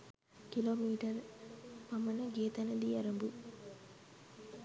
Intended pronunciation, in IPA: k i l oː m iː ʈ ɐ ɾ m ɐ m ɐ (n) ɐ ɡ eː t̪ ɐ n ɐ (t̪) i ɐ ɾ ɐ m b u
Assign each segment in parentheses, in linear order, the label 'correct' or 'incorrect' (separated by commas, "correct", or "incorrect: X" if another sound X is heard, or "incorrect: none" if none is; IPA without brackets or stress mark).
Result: correct, incorrect: d̪